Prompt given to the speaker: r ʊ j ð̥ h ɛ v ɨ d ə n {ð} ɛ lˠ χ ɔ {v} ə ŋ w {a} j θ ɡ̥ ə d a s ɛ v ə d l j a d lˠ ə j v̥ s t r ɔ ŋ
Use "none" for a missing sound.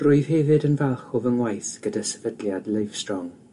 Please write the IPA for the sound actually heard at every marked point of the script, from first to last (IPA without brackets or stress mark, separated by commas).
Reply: v, v, a